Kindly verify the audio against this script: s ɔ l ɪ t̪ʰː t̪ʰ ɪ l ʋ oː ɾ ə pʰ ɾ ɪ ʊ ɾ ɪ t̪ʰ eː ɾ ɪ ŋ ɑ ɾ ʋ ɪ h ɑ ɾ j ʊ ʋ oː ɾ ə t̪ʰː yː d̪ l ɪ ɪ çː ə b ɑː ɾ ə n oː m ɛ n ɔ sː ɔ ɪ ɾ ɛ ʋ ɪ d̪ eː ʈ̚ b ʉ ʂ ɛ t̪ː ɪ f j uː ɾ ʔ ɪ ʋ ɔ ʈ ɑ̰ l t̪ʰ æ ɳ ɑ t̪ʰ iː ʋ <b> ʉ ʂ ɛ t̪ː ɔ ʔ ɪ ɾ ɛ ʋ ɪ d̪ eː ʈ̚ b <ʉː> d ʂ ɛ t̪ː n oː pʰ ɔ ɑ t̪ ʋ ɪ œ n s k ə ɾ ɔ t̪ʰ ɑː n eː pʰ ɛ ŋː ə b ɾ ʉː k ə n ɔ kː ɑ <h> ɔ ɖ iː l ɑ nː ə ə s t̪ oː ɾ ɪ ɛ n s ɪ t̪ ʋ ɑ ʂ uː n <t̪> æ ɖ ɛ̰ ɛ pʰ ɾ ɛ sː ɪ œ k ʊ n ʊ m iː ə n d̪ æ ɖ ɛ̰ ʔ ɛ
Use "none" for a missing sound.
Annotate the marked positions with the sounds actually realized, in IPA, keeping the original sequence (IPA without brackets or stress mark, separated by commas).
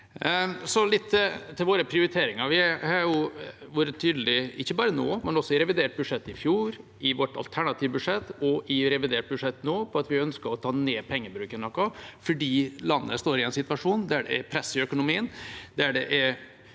b, ʉ, f, d̪